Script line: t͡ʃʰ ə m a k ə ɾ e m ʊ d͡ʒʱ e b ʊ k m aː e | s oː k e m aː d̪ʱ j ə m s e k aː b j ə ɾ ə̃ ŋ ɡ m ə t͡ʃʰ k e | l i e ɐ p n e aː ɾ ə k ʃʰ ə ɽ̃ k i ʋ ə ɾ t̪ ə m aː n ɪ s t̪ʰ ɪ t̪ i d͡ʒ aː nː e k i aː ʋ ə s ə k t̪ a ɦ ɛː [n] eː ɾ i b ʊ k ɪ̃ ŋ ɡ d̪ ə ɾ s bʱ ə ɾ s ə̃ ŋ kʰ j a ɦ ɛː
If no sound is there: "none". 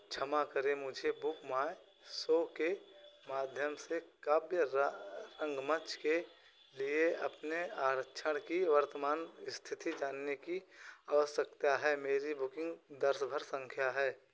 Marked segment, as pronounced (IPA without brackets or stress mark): m